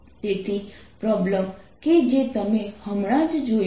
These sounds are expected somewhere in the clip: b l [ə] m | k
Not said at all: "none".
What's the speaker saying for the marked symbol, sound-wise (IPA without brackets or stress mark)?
ə